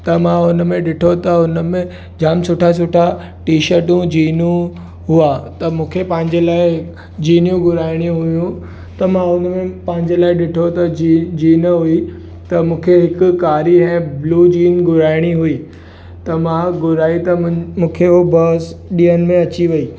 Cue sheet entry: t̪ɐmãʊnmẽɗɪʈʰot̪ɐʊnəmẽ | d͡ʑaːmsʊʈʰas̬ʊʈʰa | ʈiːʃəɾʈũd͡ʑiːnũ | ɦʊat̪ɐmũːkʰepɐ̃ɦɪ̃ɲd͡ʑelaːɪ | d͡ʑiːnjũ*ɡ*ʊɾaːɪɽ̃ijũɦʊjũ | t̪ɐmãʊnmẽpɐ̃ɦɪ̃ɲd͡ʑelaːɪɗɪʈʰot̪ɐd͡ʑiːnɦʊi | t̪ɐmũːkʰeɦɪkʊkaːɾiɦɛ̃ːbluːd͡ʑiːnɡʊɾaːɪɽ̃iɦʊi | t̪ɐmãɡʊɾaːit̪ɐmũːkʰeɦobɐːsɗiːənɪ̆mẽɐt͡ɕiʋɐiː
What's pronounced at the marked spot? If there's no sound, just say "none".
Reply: ɡ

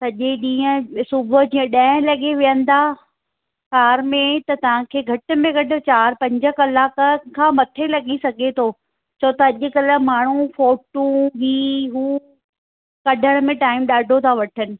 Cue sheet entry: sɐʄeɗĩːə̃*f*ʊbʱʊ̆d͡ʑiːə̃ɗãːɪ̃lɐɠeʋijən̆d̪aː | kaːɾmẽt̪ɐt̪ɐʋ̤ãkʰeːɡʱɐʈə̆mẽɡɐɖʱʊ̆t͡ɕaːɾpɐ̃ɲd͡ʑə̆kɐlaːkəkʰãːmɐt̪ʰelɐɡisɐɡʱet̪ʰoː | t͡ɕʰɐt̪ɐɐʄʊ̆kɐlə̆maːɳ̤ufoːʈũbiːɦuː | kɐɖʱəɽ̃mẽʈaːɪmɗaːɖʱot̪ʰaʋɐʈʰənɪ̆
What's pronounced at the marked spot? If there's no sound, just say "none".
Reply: s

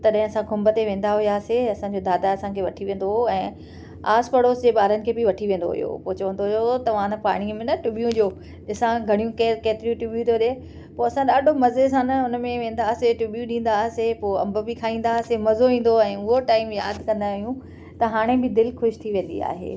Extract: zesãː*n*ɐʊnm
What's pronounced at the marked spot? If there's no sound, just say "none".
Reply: n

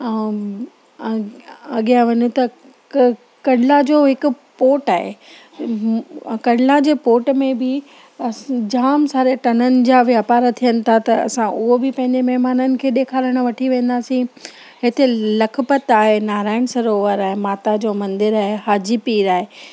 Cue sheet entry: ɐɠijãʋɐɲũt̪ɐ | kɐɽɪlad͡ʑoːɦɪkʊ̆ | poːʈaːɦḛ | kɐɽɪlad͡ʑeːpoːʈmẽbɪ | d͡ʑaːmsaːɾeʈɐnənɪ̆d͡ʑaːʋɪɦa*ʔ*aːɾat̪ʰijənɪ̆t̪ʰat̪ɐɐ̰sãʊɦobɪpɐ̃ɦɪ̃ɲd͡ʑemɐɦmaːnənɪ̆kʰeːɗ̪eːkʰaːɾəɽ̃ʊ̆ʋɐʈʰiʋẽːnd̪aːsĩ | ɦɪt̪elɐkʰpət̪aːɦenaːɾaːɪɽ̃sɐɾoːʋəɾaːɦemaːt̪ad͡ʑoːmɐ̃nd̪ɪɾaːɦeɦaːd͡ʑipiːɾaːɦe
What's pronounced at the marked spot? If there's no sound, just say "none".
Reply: p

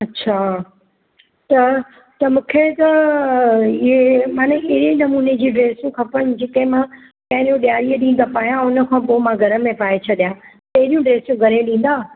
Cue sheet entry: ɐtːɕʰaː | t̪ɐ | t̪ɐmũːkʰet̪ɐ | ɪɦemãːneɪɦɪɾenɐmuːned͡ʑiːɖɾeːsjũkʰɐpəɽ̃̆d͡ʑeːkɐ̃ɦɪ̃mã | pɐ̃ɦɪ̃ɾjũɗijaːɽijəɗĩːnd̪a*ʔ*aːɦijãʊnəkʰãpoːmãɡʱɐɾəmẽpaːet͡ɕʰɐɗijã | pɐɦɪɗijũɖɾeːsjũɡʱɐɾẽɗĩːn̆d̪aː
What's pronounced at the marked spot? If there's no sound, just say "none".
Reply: p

